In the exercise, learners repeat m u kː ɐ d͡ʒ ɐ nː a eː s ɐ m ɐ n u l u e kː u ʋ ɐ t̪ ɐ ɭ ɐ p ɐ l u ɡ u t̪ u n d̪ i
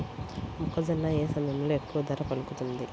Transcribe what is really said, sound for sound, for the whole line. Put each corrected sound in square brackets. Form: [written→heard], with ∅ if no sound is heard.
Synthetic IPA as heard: m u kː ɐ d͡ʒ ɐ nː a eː s ɐ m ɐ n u l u e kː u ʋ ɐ [t̪→d̪] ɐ [ɭ→ɾ] ɐ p ɐ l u [ɡ→k] u t̪ u n d̪ i

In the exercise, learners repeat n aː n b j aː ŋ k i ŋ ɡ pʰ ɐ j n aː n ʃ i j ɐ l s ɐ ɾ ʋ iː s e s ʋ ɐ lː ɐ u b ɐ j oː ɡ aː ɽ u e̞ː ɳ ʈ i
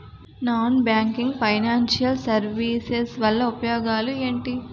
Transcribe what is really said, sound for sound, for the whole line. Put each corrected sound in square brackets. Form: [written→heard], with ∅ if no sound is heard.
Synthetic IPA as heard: n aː n b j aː ŋ k i ŋ ɡ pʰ ɐ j n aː n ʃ i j ɐ l s ɐ ɾ ʋ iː s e s ʋ ɐ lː ɐ u [b→p] ɐ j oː ɡ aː [ɽ→l] u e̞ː ɳ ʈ i

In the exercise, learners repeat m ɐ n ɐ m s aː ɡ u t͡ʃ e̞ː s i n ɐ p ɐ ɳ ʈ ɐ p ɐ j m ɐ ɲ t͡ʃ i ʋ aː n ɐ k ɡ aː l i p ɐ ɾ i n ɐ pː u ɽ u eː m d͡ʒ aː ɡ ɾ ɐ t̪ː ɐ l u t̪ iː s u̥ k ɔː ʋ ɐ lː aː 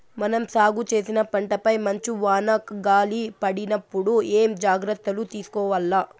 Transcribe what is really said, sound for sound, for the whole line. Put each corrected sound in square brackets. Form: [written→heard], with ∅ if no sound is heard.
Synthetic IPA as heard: m ɐ n ɐ m s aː ɡ u t͡ʃ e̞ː s i n ɐ p ɐ ɳ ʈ ɐ p ɐ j m ɐ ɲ t͡ʃ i ʋ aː n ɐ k ɡ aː l i p ɐ [ɾ→ɽ] i n ɐ pː u ɽ u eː m d͡ʒ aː ɡ ɾ ɐ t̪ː ɐ l u t̪ iː s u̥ k ɔː ʋ ɐ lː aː

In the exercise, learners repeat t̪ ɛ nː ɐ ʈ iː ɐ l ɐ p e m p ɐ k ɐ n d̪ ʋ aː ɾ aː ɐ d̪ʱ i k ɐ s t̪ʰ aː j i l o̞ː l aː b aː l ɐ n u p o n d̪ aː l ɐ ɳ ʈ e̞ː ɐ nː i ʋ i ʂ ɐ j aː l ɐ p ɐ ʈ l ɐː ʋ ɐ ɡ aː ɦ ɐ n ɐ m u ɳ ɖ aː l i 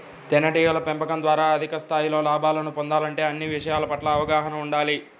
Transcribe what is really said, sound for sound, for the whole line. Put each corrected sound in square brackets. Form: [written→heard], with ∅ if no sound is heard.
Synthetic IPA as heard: t̪ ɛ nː ɐ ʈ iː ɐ l ɐ p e m p ɐ k ɐ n d̪ ʋ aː ɾ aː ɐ d̪ʱ i k ɐ s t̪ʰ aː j i l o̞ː l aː b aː l ɐ n u p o n d̪ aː l ɐ ɳ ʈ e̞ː ɐ nː i ʋ i ʂ ɐ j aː l ɐ p ɐ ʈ l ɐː ʋ ɐ ɡ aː ɦ ɐ n ɐ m u ɳ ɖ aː l i

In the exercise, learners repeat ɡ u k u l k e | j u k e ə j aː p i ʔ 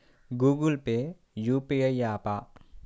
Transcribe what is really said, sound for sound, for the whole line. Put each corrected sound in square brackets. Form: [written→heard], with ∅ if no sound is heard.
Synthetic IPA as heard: ɡ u [k→ɡ] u l [k→p] e | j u [k→p] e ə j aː p [i→a] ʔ

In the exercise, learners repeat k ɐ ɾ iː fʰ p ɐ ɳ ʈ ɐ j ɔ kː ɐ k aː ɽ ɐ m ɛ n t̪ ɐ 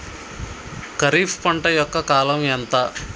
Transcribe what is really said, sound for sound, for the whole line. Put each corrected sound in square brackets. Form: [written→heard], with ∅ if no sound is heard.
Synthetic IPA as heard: k ɐ ɾ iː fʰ p ɐ ɳ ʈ ɐ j ɔ kː ɐ k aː [ɽ→l] ɐ m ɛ n t̪ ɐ

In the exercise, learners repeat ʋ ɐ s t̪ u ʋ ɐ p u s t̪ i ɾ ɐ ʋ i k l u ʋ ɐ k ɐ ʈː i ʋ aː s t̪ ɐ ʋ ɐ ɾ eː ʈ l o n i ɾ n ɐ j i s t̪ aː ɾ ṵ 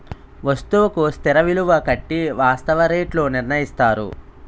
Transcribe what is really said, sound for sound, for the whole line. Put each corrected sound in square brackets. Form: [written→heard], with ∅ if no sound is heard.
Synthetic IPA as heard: ʋ ɐ s t̪ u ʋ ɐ [p→k] u s t̪ i ɾ ɐ ʋ i [k→∅] l u ʋ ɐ k ɐ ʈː i ʋ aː s t̪ ɐ ʋ ɐ ɾ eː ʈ l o n i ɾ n ɐ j i s t̪ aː ɾ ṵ

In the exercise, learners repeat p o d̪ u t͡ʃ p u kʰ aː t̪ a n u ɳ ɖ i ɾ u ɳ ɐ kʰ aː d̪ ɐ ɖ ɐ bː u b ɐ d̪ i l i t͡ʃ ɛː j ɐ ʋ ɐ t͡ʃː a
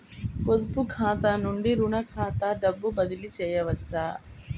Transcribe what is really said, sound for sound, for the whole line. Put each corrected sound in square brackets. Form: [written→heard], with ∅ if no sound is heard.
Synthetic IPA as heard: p o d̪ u [t͡ʃ→∅] p u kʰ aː t̪ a n u ɳ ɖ i ɾ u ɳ ɐ kʰ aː [d̪→t̪] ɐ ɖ ɐ bː u b ɐ d̪ i l i t͡ʃ ɛː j ɐ ʋ ɐ t͡ʃː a

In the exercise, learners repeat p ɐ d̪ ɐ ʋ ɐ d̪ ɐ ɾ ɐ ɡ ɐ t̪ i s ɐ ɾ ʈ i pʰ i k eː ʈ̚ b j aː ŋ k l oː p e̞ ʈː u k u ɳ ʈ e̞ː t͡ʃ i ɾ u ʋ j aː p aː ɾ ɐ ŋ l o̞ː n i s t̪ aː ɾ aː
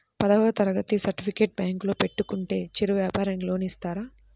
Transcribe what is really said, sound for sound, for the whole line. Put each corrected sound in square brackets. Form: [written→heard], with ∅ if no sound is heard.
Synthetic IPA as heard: p ɐ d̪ ɐ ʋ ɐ [d̪→t̪] ɐ ɾ ɐ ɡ ɐ t̪ i s ɐ ɾ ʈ i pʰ i k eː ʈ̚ b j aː ŋ k l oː p e̞ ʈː u k u ɳ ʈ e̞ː t͡ʃ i ɾ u ʋ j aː p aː ɾ ɐ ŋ l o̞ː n i s t̪ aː ɾ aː

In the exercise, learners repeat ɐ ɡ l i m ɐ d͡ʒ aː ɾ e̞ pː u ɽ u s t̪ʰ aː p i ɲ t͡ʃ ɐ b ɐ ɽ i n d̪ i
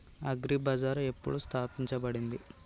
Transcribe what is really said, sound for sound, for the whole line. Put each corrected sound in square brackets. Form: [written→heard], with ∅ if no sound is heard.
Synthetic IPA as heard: ɐ ɡ [l→ɾ] i [m→b] ɐ d͡ʒ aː ɾ e̞ pː u ɽ u s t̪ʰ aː p i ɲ t͡ʃ ɐ b ɐ ɽ i n d̪ i

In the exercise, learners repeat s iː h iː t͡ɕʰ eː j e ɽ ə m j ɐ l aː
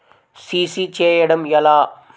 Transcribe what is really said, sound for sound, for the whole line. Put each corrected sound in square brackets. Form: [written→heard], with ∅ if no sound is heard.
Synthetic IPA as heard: s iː [h→s] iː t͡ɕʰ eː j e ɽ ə m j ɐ l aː

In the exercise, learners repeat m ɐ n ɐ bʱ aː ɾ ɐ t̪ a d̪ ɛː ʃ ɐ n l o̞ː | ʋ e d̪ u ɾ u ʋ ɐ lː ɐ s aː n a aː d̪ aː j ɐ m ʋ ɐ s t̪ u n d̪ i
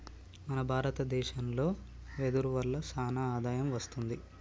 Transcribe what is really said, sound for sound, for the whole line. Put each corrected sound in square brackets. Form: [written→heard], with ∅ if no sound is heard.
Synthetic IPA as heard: m ɐ n ɐ bʱ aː ɾ ɐ t̪ [a→ɐ] d̪ ɛː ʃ ɐ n l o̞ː | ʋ e d̪ u ɾ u ʋ ɐ lː ɐ s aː n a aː d̪ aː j ɐ m ʋ ɐ s t̪ u n d̪ i

